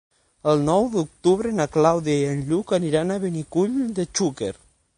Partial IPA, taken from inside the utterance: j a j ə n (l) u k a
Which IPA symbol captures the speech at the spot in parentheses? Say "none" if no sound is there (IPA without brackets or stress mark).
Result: ʎ